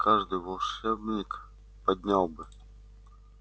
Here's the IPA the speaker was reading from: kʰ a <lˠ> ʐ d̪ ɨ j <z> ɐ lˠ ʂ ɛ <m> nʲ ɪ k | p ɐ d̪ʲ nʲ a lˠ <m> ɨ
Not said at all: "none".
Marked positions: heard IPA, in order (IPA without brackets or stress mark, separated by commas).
none, v, b, b